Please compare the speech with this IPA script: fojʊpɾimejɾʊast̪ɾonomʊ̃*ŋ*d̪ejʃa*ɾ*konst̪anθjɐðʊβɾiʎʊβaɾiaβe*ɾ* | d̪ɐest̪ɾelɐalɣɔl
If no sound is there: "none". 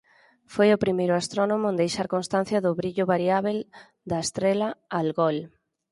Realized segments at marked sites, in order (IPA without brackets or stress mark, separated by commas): n, ɾ, l